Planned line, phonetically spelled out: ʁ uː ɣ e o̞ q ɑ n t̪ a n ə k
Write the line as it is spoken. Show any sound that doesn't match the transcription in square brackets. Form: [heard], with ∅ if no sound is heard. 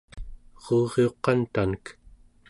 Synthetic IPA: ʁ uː [ʁ] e o̞ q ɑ n t̪ a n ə k